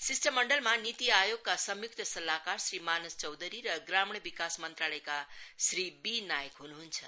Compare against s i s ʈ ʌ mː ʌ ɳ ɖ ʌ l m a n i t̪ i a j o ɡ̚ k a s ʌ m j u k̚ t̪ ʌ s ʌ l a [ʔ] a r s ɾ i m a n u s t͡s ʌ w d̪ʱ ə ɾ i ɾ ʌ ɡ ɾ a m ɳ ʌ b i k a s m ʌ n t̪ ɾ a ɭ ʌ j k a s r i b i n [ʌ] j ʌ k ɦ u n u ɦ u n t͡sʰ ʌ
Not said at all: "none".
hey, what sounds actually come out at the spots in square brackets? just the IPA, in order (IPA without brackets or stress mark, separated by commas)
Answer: k, a